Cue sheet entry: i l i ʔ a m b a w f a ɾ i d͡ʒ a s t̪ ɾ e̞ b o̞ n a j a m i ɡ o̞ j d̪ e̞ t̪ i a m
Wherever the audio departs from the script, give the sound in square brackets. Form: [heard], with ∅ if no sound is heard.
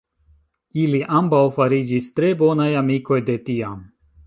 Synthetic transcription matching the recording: i l i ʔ a m b a w f a ɾ i d͡ʒ [i] s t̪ ɾ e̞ b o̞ n a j a m i [k] o̞ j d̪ e̞ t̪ i a m